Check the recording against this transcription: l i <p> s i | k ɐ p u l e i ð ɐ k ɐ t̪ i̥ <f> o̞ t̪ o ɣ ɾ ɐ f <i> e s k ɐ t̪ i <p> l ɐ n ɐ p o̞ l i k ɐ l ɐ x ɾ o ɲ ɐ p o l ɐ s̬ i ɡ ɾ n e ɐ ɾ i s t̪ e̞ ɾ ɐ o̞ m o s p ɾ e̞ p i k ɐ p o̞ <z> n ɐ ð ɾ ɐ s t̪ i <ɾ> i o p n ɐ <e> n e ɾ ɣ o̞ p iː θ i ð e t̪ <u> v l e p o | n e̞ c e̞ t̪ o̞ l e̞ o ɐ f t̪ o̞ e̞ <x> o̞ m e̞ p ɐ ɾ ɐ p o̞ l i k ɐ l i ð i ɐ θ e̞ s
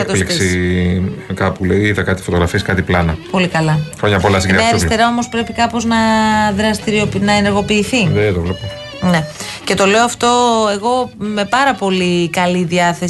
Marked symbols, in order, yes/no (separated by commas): no, yes, yes, yes, yes, yes, yes, no, no